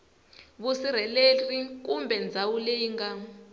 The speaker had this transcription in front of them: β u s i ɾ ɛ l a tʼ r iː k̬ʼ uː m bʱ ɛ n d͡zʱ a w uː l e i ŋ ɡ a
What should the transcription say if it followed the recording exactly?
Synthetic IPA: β u s i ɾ ɛ l e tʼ r i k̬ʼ u m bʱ ɛ n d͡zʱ a w u l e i ŋ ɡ a